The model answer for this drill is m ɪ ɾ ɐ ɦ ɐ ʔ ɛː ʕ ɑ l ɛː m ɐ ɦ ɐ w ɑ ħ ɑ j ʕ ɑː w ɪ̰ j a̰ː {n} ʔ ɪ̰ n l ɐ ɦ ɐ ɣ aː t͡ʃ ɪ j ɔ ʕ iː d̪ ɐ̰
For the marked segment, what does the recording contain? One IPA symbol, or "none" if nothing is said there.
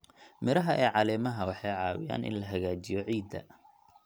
n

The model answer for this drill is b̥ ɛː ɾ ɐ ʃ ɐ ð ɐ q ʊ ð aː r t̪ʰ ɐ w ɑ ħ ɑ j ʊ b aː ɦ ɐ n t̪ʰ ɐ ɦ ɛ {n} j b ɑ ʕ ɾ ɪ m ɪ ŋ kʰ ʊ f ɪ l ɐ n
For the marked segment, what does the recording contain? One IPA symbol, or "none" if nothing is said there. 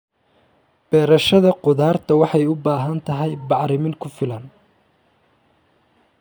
none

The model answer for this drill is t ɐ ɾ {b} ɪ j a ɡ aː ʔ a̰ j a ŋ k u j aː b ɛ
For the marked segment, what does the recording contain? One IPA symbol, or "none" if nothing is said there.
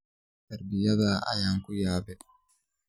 b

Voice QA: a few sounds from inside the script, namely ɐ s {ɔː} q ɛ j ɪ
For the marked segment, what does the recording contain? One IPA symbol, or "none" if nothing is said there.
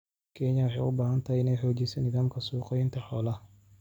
uː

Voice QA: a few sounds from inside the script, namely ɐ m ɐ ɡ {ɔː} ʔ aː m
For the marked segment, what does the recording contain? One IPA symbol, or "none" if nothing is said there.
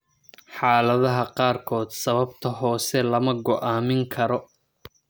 ɔ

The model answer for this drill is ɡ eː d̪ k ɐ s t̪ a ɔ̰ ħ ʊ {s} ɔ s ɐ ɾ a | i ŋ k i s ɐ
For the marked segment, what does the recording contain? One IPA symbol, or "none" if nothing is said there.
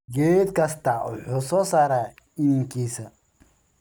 s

